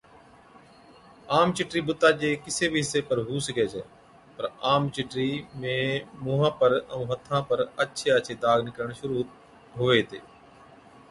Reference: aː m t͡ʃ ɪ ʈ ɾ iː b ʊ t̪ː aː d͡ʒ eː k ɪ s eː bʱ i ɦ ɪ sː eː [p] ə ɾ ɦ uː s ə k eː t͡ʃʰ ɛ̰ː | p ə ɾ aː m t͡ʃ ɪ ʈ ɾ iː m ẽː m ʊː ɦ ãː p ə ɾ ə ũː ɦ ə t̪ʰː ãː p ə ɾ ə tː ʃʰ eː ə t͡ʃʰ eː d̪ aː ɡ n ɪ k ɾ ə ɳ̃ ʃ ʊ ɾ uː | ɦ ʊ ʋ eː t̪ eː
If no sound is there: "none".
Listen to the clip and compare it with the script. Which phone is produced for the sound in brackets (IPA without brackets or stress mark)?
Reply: p